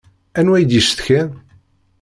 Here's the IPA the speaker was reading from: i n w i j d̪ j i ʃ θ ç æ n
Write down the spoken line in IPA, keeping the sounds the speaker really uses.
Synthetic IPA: æ n w æ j d̪ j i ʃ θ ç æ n